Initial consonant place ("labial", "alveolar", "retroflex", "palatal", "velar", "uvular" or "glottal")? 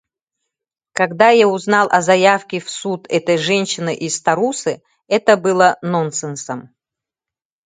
velar